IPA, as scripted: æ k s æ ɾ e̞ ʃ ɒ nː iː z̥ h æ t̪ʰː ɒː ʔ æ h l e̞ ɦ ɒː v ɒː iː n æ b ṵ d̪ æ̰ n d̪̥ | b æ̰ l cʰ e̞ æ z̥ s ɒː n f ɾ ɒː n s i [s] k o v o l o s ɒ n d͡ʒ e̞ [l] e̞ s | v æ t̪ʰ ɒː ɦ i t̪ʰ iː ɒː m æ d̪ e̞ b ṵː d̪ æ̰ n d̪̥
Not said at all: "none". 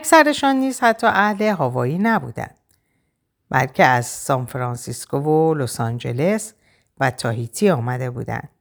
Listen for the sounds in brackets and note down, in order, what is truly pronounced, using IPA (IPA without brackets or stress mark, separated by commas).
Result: s, l